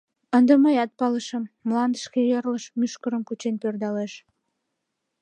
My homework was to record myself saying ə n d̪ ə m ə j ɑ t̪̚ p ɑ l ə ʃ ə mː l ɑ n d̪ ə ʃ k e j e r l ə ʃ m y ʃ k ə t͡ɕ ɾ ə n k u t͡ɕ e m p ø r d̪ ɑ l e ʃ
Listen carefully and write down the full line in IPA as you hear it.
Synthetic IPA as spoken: ə n d̪ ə m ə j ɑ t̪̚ p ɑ l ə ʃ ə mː l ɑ n d̪ ə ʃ k e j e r l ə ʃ m y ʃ k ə ɾ ə m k u t͡ɕ e n p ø r d̪ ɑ l e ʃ